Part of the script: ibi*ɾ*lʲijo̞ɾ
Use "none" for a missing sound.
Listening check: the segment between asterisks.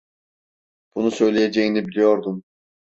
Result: none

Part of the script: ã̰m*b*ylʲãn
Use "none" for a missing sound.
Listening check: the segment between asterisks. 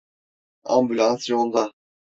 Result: b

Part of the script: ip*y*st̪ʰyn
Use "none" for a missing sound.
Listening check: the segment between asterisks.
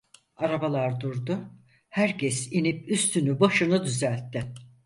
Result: y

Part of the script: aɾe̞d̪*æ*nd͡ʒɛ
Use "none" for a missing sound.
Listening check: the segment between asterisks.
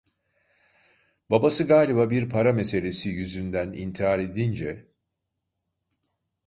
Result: i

